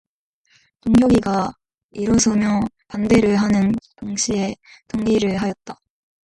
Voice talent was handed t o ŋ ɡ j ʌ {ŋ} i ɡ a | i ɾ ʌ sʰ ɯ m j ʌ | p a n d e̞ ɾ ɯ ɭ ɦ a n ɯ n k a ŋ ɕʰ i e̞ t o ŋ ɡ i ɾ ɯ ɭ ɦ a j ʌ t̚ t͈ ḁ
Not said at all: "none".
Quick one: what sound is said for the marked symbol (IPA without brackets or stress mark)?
ɡ